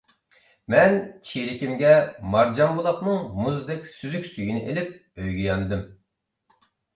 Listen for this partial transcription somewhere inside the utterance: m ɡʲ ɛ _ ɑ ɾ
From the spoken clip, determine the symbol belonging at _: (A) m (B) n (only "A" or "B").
A